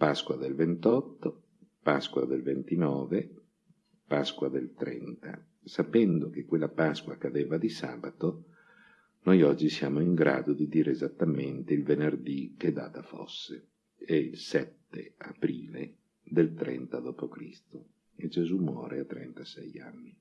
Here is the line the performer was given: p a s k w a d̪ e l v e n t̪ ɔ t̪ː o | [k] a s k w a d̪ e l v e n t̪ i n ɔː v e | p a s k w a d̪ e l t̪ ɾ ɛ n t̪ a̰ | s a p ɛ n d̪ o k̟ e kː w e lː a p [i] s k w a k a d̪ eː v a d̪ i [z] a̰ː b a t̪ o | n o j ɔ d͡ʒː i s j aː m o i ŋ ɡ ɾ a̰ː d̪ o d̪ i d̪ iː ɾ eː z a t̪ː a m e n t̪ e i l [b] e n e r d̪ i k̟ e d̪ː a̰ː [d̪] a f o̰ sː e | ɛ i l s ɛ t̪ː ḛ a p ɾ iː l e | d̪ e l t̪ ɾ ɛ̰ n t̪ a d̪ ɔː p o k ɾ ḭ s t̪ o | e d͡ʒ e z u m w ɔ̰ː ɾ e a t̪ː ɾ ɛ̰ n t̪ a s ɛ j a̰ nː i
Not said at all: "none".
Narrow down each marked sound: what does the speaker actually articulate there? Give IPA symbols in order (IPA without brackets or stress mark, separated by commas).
p, a, s, v, t̪